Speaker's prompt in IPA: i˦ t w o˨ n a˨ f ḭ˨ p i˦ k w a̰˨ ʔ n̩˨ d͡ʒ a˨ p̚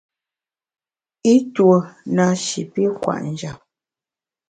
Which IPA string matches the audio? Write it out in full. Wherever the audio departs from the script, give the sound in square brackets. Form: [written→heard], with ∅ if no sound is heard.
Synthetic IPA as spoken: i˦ t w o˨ n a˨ [f→ʃ] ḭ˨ p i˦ k w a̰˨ ʔ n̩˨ d͡ʒ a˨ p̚